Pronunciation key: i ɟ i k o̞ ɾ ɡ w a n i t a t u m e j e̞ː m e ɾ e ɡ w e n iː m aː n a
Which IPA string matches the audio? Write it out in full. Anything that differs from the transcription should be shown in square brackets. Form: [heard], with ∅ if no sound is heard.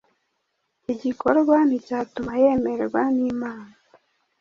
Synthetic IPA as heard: i ɟ i k o̞ ɾ ɡ w a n i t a t u m [a] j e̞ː m e ɾ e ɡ w [a] n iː m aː n a